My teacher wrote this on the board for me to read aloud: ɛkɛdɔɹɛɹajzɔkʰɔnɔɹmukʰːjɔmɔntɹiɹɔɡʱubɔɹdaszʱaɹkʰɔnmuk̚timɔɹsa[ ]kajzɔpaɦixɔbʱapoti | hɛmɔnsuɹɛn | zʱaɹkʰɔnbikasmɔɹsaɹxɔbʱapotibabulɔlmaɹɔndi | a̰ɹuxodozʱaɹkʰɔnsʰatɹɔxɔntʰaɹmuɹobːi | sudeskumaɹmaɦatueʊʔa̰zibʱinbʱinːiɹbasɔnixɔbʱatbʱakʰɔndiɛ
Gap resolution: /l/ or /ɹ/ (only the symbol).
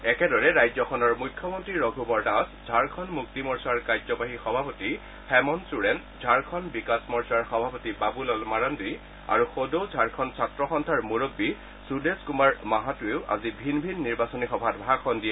ɹ